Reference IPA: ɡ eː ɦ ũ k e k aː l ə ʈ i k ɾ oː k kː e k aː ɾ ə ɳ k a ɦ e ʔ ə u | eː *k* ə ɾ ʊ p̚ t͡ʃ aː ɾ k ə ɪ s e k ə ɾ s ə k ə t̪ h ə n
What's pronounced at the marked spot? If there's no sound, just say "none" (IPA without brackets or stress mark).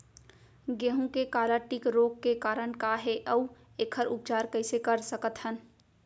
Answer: kʰ